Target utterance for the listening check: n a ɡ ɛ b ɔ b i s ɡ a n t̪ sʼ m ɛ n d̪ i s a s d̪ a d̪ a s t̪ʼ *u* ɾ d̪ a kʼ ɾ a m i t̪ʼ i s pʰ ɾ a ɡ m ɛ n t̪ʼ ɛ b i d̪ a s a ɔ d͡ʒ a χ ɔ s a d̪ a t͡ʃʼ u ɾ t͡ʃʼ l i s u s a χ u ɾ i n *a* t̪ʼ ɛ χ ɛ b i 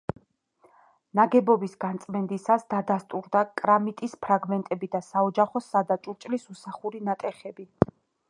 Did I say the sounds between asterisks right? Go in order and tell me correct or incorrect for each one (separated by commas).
correct, correct